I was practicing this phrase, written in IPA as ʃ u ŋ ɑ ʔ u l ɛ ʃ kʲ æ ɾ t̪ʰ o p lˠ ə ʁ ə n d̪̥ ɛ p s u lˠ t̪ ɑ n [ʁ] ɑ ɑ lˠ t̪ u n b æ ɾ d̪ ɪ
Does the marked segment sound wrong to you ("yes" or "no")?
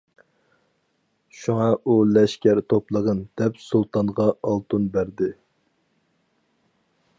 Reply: no